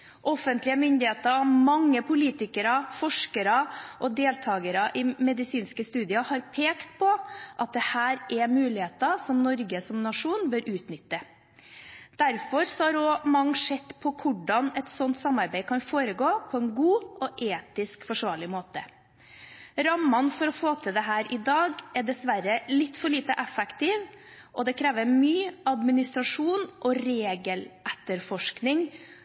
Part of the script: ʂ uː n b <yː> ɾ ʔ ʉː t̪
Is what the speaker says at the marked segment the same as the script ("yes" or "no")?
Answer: no